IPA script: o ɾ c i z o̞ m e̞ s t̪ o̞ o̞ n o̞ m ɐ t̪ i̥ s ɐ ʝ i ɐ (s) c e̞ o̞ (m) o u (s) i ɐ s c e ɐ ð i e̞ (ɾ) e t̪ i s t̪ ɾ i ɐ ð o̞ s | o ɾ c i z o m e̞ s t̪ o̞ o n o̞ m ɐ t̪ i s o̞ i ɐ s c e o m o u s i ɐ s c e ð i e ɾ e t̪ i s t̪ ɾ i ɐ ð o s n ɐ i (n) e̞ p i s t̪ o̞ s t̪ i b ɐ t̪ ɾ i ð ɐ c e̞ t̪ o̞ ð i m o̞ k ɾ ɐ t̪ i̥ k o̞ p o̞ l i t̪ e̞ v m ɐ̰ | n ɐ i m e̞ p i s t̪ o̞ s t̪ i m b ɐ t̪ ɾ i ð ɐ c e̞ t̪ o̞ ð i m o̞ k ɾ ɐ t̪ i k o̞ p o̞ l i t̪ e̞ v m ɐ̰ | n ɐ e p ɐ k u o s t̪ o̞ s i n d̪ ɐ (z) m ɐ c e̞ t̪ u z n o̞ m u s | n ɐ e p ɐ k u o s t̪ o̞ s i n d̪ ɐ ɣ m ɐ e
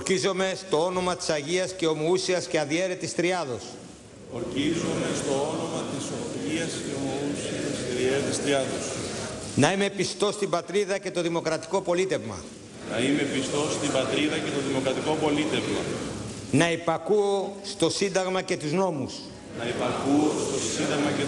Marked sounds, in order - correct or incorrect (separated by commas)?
correct, correct, correct, correct, incorrect, incorrect